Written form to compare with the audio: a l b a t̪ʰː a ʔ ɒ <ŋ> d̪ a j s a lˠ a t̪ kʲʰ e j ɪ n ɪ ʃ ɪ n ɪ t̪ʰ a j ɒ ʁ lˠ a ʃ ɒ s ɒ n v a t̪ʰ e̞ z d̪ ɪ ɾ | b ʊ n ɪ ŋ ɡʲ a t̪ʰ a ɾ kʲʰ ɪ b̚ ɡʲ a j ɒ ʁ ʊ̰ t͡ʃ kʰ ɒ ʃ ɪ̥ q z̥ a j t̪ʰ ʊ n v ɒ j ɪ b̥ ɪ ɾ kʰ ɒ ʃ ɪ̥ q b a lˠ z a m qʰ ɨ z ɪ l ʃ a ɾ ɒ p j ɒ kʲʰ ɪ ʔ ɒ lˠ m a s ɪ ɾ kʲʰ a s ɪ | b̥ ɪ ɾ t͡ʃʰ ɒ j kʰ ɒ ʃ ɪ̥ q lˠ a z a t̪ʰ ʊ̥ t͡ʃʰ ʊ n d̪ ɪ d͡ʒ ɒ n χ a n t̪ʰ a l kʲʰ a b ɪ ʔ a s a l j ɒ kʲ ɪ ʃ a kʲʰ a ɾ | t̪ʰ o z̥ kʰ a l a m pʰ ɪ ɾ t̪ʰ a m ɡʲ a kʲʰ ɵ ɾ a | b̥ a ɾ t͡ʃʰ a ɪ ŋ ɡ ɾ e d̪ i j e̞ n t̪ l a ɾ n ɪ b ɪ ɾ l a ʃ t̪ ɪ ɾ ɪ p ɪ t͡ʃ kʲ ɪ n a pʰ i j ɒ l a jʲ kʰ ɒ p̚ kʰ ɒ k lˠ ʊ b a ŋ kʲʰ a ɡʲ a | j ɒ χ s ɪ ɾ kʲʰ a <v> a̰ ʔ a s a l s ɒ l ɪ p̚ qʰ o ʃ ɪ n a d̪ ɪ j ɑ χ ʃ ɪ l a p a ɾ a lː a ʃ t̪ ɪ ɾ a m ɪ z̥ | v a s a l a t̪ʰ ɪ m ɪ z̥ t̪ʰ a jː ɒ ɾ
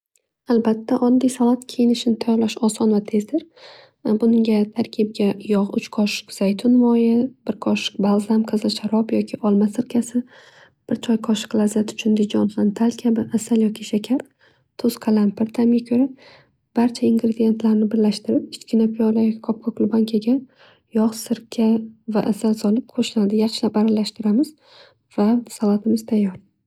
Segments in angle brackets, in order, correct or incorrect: incorrect, correct

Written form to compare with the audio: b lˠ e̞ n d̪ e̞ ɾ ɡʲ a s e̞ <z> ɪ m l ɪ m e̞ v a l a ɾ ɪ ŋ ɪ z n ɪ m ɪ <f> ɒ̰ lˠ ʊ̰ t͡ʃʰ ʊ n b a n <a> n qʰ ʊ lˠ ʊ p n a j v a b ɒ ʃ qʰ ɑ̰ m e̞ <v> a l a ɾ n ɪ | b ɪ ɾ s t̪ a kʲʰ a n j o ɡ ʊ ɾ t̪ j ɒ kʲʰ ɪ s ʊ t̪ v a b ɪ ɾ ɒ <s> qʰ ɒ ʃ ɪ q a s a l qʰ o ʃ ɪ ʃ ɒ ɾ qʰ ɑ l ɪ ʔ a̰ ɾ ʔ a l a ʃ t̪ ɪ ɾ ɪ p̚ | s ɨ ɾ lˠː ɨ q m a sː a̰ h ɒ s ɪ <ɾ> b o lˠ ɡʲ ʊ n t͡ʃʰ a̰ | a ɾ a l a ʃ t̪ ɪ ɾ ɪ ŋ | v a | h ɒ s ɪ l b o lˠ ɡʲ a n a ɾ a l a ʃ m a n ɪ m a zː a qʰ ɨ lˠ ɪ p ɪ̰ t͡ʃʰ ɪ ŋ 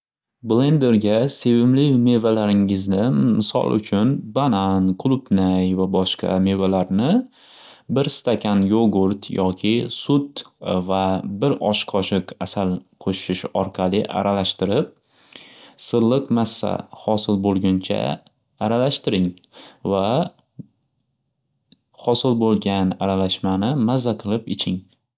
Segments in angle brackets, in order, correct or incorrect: incorrect, incorrect, correct, correct, incorrect, incorrect

